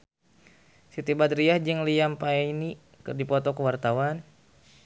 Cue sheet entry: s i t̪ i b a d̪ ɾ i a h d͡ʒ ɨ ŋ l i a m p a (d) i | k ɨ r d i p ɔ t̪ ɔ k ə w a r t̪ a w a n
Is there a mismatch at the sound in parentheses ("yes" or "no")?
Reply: yes